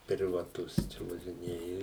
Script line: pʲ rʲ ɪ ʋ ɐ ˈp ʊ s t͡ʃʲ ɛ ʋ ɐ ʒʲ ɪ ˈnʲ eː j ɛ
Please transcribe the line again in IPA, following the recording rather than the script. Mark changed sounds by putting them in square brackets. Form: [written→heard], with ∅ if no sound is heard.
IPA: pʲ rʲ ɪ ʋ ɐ [ˈp→ˈt] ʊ s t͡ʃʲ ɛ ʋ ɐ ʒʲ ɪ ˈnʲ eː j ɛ